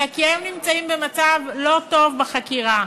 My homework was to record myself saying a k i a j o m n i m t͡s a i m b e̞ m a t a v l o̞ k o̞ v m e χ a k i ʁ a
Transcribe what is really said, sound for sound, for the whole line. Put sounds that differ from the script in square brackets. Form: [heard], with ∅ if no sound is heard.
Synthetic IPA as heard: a k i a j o m n i m t͡s a i m b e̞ m a [t͡s] a v l o̞ [t] o̞ v [b] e χ a k i ʁ a